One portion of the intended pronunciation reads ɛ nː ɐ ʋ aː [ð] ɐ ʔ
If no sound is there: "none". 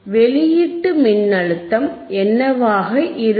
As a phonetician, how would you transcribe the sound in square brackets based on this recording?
ɣ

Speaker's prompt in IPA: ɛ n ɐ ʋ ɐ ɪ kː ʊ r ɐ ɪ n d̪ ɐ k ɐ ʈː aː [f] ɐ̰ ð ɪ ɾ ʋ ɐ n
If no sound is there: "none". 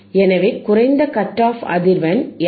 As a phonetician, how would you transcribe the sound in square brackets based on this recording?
f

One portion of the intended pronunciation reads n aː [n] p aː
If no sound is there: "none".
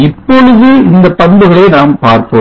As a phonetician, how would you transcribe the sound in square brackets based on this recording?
m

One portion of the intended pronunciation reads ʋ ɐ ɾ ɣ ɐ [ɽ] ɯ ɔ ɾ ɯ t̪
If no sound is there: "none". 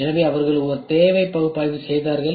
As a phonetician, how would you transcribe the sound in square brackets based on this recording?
ɭ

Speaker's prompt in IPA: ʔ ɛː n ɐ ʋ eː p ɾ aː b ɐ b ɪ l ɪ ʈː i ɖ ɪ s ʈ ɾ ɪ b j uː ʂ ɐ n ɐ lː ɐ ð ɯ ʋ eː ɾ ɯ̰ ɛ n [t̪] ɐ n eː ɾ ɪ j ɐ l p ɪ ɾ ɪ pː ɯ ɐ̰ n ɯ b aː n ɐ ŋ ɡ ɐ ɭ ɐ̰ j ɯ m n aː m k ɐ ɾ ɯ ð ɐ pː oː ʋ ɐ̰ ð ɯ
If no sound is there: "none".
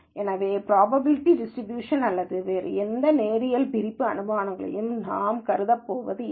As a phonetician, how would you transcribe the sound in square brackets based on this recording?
d̪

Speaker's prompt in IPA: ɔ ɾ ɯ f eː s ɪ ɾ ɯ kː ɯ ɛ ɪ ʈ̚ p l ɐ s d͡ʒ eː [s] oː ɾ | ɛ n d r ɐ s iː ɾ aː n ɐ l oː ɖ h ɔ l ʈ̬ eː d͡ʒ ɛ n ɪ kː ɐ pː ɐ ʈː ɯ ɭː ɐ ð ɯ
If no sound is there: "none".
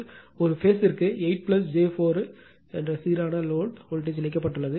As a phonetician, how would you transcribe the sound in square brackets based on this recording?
f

